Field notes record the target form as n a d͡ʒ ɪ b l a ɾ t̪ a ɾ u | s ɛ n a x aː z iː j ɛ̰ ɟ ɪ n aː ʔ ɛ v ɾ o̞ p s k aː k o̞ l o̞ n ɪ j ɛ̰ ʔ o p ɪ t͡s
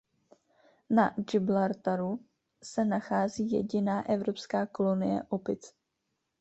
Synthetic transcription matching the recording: n a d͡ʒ ɪ b l a ɾ t̪ a ɾ u | s ɛ n a x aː z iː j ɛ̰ ɟ ɪ n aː ʔ ɛ v ɾ o̞ p s k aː k o̞ l o̞ n ɪ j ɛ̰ ʔ o p ɪ t͡s